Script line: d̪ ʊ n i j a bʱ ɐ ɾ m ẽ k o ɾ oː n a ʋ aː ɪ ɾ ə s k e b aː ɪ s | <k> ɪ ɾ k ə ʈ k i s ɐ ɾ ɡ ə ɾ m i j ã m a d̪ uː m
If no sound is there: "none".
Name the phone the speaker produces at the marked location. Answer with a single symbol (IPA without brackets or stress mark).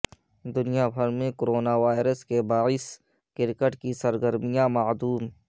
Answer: k